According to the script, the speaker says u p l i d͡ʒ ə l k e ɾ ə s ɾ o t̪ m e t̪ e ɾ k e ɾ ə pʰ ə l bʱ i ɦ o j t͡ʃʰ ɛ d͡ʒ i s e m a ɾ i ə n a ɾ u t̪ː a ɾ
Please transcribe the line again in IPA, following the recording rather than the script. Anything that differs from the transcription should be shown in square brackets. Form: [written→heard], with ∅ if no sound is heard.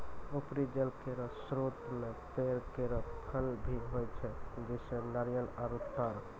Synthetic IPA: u p [l→ɾ] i d͡ʒ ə l k e ɾ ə s ɾ o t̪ m e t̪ e ɾ k e ɾ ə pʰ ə l bʱ i ɦ o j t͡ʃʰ ɛ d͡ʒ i s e [m→n] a ɾ [i→j] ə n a ɾ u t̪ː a ɾ